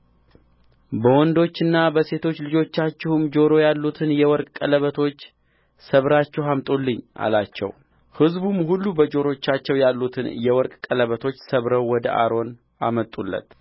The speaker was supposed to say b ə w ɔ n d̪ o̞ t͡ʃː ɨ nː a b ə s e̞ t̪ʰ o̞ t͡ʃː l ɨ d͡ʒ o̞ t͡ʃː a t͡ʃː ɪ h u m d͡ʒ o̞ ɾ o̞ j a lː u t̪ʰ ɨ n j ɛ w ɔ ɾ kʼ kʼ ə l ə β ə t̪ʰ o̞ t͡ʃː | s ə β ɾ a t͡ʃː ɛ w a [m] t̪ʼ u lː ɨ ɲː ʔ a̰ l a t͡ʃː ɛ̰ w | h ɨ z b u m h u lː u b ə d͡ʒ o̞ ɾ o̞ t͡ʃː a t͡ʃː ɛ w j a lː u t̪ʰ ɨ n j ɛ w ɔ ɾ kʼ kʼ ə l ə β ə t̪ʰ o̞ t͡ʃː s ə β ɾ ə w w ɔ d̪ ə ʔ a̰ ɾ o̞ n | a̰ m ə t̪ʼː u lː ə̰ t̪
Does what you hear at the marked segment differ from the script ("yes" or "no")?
no